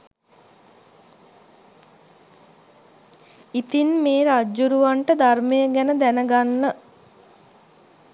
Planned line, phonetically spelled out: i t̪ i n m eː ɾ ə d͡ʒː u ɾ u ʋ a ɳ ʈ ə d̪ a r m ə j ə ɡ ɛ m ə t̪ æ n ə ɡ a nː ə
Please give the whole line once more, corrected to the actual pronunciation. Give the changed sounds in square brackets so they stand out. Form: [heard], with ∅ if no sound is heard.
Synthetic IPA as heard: i t̪ i n m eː ɾ [a] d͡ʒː u ɾ u ʋ a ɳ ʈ ə d̪ a r m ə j ə ɡ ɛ [n] ə [d̪] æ n ə ɡ a nː ə